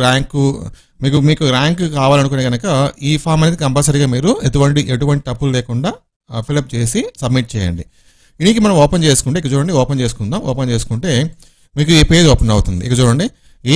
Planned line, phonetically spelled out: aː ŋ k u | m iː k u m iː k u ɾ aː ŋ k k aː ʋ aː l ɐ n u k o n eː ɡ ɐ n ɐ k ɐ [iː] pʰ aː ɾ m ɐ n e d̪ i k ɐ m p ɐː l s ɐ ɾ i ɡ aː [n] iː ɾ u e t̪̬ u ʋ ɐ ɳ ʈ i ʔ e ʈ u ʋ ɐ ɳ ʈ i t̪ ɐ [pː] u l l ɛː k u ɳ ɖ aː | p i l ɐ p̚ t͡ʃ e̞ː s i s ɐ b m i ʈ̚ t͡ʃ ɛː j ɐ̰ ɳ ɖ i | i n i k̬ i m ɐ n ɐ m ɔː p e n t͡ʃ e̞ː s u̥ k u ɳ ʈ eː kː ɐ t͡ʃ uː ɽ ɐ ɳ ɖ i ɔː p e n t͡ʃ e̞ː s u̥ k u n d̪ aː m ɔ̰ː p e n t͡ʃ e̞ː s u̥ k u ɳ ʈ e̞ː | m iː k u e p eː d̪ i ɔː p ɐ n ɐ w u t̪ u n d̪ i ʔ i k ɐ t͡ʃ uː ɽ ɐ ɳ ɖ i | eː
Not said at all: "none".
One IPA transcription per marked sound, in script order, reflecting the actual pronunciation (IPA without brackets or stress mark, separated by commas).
iː, m, pː